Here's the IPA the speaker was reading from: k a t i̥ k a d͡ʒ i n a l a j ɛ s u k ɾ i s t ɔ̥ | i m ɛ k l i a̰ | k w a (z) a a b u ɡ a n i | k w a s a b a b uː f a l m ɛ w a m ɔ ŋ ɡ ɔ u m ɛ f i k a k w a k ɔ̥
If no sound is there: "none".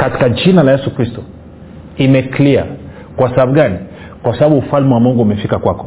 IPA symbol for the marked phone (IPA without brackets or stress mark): s